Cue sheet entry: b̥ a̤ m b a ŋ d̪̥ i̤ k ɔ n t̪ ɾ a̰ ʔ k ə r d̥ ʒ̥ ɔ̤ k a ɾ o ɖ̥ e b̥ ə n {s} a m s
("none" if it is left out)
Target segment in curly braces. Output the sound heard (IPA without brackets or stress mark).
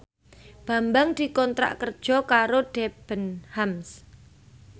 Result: h